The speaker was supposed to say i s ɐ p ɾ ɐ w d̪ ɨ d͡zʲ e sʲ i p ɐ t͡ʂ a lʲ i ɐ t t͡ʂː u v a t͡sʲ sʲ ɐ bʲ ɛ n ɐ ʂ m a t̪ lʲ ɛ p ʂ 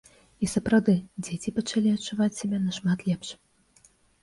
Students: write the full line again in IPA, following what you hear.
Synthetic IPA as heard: i s ɐ p ɾ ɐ w d̪ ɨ d͡zʲ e t͡sʲ i p ɐ t͡ʂ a lʲ i ɐ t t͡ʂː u v a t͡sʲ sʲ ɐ bʲ ɛ n ɐ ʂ m a t̪ lʲ ɛ p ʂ